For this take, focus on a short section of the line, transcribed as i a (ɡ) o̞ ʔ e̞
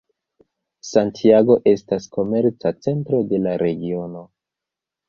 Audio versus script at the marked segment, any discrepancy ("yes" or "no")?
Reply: no